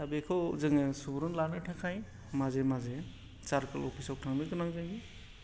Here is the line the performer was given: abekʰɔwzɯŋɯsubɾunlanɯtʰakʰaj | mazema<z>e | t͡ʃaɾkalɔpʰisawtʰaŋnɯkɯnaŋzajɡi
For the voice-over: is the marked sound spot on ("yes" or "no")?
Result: yes